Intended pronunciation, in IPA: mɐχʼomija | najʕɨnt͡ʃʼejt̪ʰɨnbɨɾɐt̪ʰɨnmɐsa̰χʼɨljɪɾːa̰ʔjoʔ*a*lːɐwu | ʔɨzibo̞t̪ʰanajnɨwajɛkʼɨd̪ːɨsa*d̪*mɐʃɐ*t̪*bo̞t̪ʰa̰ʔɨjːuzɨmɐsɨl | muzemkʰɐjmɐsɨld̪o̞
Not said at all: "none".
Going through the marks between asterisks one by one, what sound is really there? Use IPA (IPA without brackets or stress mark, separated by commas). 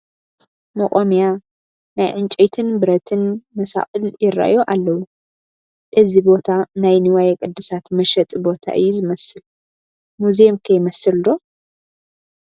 a, t̪, t̪ʼ